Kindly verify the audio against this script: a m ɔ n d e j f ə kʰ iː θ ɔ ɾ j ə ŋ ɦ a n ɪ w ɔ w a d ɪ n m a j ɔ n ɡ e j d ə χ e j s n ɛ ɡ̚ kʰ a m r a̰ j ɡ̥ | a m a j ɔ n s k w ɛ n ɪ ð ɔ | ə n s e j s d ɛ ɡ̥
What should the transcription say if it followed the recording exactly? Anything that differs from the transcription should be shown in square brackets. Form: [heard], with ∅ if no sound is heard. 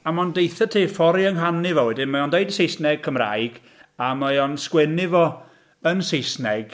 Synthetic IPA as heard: a m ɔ n d e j [θ] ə [tʰ] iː [f] ɔ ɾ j ə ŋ ɦ a n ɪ [v] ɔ w [ɛ] d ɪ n m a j ɔ n [d] e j d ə [s] e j s n ɛ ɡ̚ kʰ [ə] m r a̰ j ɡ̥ | a m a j ɔ n s k w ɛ n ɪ [v] ɔ | ə n s e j s [n] ɛ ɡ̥